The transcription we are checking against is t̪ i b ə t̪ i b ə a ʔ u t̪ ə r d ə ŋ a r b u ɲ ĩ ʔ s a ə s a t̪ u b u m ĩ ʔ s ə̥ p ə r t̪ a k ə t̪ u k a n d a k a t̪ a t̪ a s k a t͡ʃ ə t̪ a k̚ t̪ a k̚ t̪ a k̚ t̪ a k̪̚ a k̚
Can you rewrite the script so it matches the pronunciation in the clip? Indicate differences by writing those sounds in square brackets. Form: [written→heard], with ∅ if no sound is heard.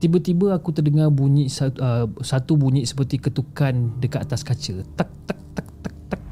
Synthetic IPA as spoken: t̪ i b ə t̪ i b ə a [ʔ→k] u t̪ ə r d ə ŋ a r b u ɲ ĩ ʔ s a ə s a t̪ u b u [m→ɲ] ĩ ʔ s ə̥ p ə r t̪ [a→i] k ə t̪ u k a n d [a→ə] k a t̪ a t̪ a s k a t͡ʃ ə t̪ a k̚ t̪ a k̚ t̪ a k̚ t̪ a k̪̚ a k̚